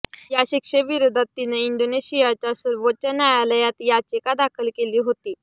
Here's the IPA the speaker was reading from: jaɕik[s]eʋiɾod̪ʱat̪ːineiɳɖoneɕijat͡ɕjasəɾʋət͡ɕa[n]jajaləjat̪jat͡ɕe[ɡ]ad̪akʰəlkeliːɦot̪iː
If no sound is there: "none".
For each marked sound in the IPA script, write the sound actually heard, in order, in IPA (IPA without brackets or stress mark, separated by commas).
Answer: ʂ, n, k